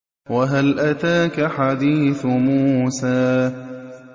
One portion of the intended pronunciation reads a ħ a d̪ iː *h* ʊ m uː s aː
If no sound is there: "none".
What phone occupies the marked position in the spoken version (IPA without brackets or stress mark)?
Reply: θ